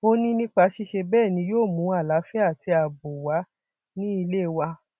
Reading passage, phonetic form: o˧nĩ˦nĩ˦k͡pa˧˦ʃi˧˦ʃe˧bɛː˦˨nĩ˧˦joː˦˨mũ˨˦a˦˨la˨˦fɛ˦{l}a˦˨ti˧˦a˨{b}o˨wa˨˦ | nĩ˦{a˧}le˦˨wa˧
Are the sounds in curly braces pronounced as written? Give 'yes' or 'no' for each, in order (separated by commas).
no, yes, no